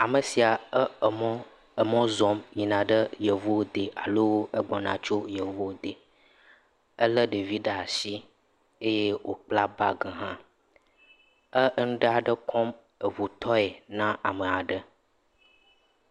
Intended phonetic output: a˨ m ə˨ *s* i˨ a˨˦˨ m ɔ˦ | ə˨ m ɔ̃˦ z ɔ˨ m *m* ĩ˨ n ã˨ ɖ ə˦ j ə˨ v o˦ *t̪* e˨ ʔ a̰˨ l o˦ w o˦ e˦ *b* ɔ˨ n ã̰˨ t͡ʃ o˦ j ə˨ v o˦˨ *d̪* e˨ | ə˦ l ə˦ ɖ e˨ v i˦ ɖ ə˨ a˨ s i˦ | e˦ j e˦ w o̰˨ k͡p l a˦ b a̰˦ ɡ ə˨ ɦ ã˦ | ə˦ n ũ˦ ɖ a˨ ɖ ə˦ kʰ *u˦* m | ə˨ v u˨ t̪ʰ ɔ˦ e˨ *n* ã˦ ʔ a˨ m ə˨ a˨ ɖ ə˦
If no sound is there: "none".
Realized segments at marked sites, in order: s, ɲ, d̪, ɡ͡b, d̪, ɔ˦, n

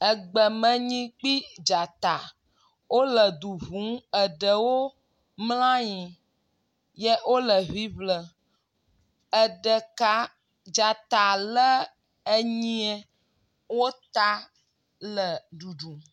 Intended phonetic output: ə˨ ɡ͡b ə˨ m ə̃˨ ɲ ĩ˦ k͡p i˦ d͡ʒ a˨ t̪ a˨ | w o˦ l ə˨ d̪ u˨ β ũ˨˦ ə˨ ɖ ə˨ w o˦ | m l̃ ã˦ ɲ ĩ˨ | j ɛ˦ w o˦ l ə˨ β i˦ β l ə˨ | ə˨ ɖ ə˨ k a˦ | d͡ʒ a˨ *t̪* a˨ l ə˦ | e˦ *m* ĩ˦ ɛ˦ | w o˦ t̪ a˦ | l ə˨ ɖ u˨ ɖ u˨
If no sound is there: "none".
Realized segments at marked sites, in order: t̪, ɲ

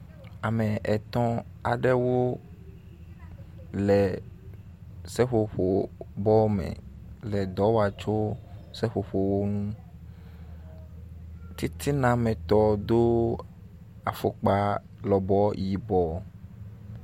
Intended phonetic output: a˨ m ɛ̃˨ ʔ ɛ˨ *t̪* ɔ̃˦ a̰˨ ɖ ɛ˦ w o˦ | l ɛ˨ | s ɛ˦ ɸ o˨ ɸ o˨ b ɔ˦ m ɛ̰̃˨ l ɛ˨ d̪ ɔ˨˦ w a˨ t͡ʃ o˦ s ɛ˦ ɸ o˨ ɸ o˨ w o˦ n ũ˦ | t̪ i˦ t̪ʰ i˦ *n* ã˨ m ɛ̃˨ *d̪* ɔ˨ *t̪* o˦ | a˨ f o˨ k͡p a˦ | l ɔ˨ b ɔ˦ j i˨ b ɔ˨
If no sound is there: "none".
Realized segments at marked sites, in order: t̪, n, t̪, d̪

